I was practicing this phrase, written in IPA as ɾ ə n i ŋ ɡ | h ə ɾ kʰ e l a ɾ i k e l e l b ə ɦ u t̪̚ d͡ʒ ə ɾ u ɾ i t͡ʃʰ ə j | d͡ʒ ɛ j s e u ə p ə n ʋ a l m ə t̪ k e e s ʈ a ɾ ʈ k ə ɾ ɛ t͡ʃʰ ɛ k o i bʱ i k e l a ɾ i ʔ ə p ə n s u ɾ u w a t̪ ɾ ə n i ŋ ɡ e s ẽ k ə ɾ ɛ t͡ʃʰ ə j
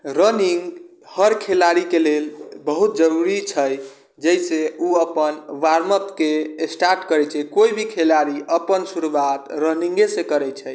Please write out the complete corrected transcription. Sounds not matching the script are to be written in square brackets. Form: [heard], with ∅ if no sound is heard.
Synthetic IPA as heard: ɾ ə n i ŋ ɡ | h ə ɾ kʰ e l a ɾ i k e l e l b ə ɦ u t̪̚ d͡ʒ ə ɾ u ɾ i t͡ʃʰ ə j | d͡ʒ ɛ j s e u ə p ə n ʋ a [ɾ] m ə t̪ k e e s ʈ a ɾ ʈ k ə ɾ ɛ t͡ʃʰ ɛ k o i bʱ i [kʰ] e l a ɾ i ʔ ə p ə n s u ɾ u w a t̪ ɾ ə n i ŋ ɡ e s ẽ k ə ɾ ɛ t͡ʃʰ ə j